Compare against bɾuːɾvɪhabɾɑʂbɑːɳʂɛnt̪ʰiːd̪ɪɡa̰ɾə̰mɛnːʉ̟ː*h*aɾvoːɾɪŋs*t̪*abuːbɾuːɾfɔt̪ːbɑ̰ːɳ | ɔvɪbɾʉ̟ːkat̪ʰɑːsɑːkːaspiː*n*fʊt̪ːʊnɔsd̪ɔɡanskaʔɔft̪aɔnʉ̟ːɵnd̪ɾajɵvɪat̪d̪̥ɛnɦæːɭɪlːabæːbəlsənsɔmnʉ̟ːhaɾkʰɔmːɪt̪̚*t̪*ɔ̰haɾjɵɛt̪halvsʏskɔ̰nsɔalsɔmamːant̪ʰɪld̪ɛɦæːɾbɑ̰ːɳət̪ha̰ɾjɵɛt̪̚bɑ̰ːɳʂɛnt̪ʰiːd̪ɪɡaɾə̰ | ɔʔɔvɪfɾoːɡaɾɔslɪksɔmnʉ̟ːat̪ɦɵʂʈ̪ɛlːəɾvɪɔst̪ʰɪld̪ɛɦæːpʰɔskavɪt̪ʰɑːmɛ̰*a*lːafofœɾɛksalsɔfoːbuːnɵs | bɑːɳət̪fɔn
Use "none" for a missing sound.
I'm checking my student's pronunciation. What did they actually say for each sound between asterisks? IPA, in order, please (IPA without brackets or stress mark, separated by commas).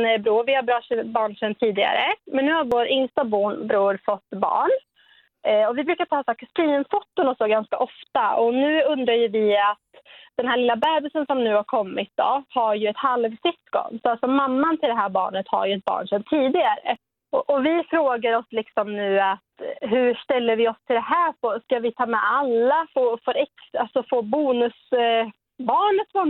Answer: h, t̪, n, d̪, a